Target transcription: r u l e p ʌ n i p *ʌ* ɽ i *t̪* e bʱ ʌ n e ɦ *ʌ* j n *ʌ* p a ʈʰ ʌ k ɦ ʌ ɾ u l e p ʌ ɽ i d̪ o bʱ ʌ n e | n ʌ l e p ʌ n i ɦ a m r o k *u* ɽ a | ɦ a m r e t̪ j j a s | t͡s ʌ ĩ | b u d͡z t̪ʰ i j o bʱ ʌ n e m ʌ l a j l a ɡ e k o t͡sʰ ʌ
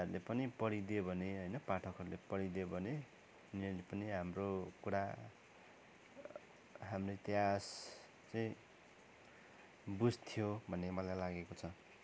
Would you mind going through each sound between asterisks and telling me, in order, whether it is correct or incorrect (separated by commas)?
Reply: correct, incorrect, correct, correct, correct